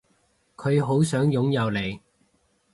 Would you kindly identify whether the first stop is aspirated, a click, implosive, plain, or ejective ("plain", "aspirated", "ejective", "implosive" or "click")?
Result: aspirated